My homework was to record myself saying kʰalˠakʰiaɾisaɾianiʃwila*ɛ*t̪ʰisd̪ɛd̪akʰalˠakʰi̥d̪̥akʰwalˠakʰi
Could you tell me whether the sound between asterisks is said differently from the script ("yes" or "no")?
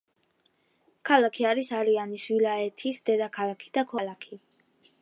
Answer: no